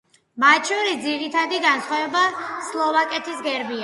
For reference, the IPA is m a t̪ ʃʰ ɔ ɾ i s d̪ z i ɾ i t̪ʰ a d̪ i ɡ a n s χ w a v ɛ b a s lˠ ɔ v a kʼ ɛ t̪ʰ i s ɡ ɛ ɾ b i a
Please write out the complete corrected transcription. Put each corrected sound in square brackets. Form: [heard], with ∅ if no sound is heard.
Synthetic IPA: m a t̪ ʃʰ ɔ ɾ i s d̪ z i ɾ i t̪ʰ a d̪ i ɡ a n s χ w a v ɛ b a s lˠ ɔ v a kʼ ɛ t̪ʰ i s ɡ ɛ ɾ b i a